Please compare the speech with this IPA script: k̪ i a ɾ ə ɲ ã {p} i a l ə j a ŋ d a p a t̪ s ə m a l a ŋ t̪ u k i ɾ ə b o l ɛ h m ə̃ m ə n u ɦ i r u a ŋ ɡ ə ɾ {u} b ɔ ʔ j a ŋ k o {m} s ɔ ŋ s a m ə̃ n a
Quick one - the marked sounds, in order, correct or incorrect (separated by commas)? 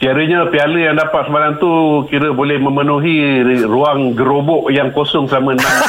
correct, incorrect, incorrect